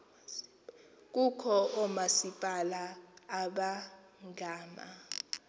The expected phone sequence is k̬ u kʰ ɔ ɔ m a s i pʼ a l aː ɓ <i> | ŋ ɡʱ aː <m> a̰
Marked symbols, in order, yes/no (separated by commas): no, yes